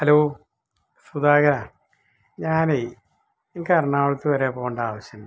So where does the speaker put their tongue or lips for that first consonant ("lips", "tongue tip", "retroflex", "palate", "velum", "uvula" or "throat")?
throat